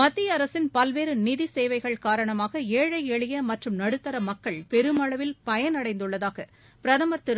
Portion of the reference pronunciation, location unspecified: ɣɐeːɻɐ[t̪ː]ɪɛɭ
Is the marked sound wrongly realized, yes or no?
yes